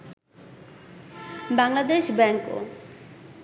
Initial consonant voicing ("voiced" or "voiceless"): voiced